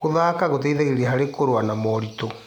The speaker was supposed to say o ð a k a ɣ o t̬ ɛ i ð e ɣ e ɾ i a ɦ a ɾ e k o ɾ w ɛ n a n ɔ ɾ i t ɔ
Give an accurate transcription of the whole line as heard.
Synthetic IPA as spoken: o ð a k a ɣ o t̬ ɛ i ð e ɣ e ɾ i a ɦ a ɾ e k o ɾ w a n a m ɔ ɾ i t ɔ